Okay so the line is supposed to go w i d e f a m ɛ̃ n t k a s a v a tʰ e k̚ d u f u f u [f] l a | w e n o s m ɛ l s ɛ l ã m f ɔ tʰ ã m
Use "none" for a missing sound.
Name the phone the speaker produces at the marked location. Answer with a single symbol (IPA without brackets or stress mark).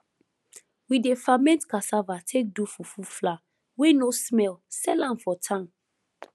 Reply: f